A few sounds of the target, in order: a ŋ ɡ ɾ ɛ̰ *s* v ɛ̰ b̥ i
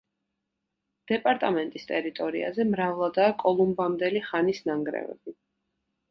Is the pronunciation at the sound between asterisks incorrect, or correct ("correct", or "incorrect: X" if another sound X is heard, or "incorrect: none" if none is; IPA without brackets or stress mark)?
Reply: incorrect: none